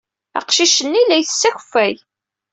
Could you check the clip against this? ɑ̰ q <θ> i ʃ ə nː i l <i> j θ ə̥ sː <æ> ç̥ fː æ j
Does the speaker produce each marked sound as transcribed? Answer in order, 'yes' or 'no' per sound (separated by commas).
no, no, yes